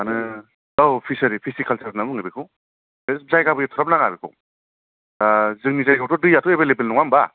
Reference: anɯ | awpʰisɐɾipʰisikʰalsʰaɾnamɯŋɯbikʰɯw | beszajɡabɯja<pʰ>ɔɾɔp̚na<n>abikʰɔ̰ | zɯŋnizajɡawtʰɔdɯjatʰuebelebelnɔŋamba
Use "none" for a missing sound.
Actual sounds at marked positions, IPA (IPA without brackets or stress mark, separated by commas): tʰ, ŋ